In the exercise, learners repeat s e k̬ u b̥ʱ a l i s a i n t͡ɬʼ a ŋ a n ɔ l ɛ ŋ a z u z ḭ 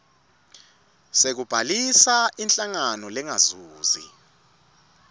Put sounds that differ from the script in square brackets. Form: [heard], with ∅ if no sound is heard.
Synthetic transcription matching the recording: s e k̬ u b̥ʱ a l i s a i n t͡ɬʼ a ŋ a n ɔ l ɛ ŋ a z [uː] z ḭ